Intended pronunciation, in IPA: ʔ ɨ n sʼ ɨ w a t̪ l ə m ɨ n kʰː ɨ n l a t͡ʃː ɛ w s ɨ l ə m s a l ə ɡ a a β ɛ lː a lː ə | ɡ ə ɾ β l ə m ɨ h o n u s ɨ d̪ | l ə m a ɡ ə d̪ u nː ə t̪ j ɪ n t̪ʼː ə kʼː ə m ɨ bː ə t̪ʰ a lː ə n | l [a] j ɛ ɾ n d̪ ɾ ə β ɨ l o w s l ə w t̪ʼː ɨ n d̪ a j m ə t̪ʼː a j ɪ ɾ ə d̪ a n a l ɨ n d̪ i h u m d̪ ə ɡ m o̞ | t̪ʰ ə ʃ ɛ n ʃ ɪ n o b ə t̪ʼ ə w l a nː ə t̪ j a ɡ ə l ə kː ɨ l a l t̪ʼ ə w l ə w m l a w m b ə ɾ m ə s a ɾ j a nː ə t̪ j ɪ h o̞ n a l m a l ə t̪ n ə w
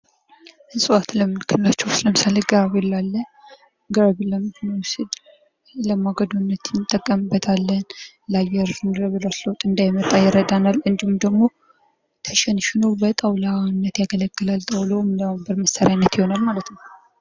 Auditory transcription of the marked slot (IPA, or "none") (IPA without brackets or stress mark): a